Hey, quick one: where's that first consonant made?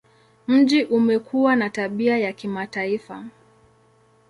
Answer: lips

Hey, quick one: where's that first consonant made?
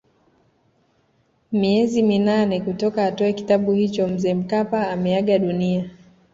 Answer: lips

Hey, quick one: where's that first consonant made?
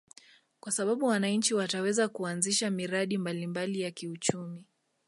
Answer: velum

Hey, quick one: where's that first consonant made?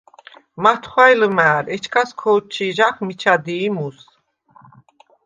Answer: lips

